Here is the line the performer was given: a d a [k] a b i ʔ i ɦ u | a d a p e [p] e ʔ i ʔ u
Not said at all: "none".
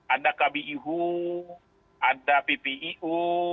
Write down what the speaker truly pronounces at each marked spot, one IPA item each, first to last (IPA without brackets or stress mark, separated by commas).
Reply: k, p